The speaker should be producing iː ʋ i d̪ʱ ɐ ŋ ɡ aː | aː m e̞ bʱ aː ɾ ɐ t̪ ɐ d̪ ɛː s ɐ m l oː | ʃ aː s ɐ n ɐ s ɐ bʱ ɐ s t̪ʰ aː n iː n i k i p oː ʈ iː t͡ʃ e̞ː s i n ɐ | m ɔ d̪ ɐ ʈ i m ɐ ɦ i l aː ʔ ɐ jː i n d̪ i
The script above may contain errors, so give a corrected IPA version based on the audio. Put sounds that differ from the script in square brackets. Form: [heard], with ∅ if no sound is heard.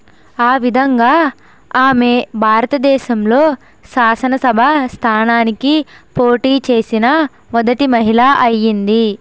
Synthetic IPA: [aː] ʋ i d̪ʱ ɐ ŋ ɡ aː | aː m e̞ bʱ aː ɾ ɐ t̪ ɐ d̪ ɛː [ʃ] ɐ m l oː | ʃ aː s ɐ n ɐ s ɐ bʱ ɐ s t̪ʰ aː n [aː] n i k i p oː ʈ iː t͡ʃ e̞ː s i n ɐ | m ɔ d̪ ɐ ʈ i m ɐ ɦ i l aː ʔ ɐ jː i n d̪ i